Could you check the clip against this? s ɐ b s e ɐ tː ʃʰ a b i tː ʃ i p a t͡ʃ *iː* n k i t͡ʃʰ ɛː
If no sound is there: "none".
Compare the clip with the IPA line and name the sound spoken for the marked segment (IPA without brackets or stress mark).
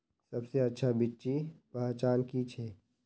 aː